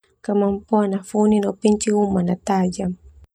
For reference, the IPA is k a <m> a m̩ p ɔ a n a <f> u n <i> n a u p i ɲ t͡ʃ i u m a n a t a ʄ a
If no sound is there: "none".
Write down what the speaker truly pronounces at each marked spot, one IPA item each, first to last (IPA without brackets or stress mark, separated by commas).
m, f, i